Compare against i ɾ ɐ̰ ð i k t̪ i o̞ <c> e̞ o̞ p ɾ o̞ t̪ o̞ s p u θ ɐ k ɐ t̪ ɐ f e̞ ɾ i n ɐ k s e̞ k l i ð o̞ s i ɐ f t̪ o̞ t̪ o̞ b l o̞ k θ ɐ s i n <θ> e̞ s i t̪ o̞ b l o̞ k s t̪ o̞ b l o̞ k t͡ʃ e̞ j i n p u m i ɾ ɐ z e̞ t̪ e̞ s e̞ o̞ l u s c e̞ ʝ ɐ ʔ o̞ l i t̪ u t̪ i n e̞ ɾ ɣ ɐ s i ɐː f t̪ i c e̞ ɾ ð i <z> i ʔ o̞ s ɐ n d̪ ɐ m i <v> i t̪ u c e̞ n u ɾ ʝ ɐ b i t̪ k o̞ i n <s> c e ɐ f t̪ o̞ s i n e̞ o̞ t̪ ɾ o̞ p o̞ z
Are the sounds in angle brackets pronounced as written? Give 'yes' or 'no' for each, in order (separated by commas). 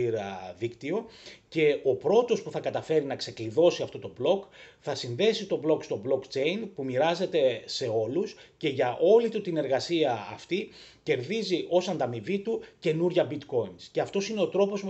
yes, no, yes, yes, yes